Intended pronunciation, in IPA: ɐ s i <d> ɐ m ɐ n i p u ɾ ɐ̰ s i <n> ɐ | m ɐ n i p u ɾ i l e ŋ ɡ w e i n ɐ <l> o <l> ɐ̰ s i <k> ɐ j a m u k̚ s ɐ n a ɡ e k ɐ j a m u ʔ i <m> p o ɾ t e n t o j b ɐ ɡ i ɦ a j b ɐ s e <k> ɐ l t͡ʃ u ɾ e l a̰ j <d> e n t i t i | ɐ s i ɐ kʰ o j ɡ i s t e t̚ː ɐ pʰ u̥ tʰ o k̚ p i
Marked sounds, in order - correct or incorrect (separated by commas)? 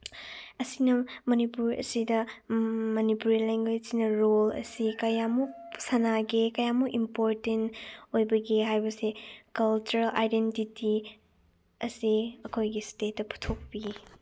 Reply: incorrect, incorrect, incorrect, correct, correct, correct, correct, correct